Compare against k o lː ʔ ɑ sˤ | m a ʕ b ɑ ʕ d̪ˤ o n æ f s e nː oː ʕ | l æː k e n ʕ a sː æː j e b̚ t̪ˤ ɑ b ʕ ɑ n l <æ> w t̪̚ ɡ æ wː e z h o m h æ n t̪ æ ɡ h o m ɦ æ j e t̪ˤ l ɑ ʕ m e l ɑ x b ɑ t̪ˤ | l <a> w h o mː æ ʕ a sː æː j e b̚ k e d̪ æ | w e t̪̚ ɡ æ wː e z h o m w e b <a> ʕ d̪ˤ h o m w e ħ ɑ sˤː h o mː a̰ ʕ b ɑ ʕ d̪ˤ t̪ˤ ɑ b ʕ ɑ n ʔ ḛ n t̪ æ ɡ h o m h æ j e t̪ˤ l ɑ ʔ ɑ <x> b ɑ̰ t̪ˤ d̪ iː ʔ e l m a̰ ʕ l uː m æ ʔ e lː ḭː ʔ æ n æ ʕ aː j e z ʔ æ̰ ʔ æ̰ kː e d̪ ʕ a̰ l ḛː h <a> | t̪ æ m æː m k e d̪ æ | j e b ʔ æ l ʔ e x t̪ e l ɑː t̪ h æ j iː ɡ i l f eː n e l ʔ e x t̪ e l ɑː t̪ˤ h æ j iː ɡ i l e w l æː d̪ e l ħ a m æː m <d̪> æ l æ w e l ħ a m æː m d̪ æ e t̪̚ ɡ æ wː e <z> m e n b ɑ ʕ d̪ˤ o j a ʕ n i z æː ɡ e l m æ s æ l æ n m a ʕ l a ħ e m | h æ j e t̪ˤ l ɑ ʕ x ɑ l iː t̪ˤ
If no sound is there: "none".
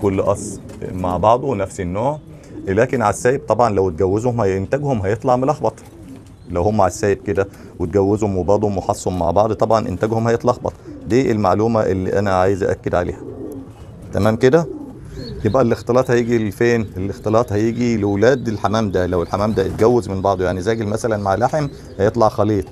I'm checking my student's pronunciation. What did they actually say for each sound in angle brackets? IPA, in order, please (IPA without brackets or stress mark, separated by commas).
æ, æ, ɑ, x, æ, d̪, z